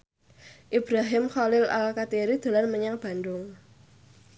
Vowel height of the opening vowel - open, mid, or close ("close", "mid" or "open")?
close